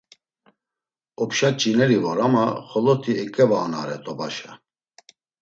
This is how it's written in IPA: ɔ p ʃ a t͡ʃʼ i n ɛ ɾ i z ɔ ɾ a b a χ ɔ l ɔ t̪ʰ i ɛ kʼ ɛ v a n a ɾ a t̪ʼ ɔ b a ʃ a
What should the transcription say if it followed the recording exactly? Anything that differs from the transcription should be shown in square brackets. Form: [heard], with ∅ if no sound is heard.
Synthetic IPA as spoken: ɔ p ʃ a t͡ʃʼ i n ɛ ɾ i [v] ɔ ɾ a [m] a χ ɔ l ɔ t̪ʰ i ɛ kʼ ɛ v a n a ɾ [ɛ] t̪ʼ ɔ b a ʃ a